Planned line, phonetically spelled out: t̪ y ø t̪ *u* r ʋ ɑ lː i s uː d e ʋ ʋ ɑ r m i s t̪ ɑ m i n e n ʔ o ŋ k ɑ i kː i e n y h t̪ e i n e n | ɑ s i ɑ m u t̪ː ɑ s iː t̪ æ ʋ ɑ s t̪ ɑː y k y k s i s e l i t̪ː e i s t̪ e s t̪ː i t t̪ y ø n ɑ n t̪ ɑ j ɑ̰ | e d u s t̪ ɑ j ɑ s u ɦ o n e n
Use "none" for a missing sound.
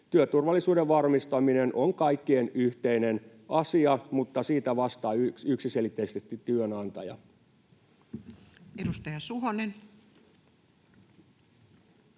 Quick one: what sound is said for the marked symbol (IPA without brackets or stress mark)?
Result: u